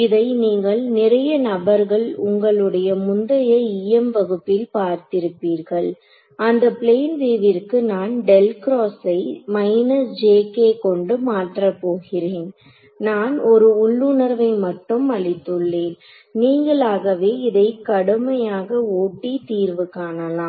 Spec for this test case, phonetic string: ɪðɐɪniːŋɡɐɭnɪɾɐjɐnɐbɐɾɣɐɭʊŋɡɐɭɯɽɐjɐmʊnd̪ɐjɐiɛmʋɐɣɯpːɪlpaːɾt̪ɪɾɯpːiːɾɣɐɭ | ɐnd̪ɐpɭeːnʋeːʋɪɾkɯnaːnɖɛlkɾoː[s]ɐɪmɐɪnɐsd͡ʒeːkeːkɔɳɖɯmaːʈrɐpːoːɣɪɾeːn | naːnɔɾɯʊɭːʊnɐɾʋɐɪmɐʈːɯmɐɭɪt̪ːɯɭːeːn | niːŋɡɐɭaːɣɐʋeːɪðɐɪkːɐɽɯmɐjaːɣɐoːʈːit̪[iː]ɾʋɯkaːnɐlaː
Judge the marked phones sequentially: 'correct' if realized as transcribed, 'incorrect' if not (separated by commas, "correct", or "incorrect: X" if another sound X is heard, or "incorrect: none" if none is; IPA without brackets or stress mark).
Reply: correct, correct